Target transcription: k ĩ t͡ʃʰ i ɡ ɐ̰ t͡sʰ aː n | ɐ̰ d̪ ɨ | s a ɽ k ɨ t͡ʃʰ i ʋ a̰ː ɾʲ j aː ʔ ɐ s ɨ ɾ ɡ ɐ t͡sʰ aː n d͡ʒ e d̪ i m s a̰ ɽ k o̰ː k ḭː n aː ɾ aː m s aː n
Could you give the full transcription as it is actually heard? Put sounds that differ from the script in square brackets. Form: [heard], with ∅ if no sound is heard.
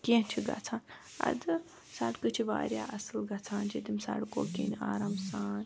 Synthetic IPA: k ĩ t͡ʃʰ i ɡ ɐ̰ t͡sʰ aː n | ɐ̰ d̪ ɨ | s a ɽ k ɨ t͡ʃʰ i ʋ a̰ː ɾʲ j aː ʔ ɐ s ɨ [l] ɡ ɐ t͡sʰ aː n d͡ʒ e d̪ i m s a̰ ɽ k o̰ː k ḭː n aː ɾ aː m s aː n

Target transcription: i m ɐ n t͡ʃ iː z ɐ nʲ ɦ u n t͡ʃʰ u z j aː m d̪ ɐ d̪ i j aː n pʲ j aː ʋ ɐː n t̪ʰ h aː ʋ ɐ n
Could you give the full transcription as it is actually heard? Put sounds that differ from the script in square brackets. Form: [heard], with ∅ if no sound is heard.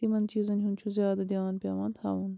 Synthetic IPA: i m ɐ n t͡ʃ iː z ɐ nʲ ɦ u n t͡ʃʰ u z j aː [∅] d̪ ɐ d̪ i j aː n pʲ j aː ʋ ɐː n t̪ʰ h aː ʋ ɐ n

